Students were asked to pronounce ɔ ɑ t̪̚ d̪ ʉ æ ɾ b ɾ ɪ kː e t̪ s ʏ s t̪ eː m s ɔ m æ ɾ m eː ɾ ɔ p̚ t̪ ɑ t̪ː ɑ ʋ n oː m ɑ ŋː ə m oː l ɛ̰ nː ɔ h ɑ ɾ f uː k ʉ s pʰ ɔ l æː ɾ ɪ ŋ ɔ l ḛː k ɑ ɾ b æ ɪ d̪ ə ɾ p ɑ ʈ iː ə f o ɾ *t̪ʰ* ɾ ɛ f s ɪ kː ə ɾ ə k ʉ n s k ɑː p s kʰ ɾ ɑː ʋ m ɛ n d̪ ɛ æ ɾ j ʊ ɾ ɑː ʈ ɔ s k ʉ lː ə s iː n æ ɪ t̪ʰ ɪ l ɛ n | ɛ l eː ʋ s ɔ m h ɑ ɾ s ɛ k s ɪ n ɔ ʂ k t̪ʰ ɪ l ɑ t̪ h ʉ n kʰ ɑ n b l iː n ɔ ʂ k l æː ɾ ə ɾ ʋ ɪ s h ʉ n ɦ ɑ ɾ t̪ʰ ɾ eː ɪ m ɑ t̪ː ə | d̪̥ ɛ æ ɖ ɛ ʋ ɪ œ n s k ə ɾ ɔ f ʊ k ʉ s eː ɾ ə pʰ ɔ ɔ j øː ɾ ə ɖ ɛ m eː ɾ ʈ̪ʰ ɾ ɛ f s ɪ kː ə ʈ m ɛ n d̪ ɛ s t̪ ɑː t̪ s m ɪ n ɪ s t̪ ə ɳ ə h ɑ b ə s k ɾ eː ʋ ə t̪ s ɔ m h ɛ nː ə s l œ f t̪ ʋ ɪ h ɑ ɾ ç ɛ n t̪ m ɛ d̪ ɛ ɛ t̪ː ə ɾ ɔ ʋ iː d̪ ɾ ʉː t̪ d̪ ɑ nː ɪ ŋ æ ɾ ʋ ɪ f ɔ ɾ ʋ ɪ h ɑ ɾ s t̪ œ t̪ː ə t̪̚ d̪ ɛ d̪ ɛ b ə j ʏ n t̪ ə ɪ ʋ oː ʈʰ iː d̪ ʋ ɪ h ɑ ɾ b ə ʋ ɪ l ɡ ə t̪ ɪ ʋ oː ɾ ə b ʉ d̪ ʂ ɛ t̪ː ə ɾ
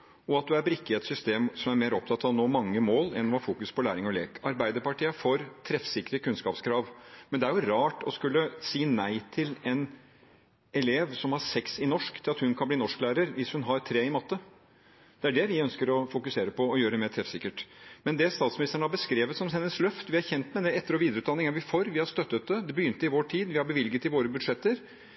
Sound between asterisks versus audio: correct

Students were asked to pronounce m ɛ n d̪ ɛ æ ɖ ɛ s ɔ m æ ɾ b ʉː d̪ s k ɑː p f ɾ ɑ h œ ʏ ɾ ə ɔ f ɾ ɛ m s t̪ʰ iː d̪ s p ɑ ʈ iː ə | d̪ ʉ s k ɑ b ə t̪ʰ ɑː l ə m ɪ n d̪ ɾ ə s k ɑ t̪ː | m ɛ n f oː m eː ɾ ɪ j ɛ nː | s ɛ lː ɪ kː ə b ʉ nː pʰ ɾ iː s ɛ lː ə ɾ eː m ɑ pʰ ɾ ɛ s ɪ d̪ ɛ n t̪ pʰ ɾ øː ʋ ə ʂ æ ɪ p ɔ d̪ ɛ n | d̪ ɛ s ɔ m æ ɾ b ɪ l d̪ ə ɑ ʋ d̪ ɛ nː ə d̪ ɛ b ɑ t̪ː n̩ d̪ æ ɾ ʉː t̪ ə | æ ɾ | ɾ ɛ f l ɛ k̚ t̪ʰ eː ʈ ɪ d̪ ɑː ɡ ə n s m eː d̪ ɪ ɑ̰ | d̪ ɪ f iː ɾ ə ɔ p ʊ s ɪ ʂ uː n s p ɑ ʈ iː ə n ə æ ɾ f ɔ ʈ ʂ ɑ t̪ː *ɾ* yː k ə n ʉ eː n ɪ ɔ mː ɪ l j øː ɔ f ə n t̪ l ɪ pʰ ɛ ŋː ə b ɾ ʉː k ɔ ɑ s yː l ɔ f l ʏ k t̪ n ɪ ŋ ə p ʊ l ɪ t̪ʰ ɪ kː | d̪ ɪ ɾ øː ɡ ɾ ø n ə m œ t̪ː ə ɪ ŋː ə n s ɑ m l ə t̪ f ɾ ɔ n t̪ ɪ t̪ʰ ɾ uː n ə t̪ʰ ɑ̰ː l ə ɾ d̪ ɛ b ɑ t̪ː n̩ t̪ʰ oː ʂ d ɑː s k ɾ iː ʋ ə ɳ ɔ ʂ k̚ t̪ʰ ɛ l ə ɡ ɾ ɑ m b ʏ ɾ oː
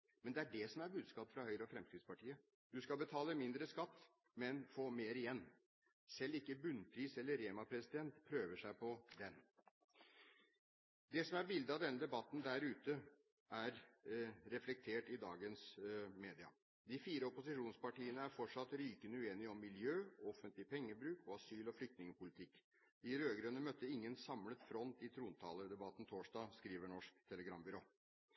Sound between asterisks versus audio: correct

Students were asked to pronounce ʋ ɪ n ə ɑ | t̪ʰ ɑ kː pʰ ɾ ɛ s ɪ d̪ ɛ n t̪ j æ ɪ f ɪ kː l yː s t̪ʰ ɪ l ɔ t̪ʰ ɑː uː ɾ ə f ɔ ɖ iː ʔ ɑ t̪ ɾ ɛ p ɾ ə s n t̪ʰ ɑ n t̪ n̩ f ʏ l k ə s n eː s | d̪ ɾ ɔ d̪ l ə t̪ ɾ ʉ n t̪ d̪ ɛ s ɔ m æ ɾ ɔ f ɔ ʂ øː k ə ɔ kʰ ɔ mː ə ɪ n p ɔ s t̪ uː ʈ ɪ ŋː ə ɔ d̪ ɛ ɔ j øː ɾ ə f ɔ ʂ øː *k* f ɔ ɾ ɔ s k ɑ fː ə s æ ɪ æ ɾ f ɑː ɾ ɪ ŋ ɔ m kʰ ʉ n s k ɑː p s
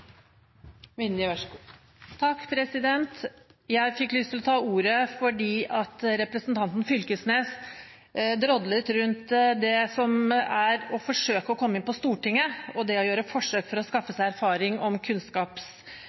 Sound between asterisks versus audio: correct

